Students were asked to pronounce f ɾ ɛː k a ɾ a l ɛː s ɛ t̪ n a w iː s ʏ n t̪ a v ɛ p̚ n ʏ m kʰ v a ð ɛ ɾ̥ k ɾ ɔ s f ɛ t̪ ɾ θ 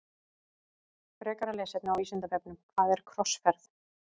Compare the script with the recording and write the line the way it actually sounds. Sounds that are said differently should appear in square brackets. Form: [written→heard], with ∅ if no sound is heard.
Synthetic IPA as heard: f ɾ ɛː k a ɾ a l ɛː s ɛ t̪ n a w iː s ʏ n t̪ a v ɛ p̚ n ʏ m kʰ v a ð ɛ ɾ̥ [k→kʰ] ɾ ɔ s f ɛ [t̪→∅] ɾ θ